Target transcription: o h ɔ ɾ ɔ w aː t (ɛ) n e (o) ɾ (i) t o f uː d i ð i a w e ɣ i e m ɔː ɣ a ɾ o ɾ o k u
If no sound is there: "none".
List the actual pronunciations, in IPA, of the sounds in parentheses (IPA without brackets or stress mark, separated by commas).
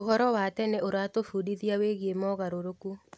ɛ, o, a